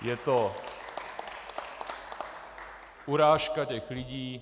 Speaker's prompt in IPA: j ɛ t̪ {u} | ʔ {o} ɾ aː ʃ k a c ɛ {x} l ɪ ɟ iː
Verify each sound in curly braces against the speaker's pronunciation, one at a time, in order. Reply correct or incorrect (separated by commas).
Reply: incorrect, incorrect, correct